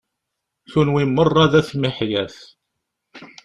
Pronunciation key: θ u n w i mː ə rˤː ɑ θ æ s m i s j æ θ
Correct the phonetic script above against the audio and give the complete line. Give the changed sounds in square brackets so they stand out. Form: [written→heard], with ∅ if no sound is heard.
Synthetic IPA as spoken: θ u n w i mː ə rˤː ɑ [θ→ð] æ [s→θ] m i [s→ħ] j æ θ